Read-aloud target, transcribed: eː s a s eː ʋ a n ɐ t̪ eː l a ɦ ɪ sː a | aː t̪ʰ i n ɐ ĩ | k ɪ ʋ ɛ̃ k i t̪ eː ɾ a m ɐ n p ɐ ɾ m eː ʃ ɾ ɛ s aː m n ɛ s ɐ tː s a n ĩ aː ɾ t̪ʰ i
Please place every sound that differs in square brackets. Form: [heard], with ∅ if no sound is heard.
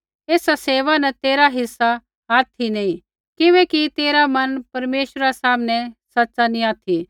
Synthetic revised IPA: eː s a s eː ʋ a n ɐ t̪ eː [ɾ] a ɦ ɪ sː a | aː t̪ʰ i n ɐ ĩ | k ɪ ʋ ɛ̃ k i t̪ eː ɾ a m ɐ n p ɐ ɾ m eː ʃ ɾ [a] s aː m n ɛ s ɐ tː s a n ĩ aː [∅] t̪ʰ i